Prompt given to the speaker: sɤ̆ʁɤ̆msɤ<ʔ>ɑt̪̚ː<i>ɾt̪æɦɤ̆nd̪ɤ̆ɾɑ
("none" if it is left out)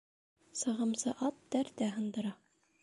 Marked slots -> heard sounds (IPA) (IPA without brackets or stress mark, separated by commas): ʔ, æ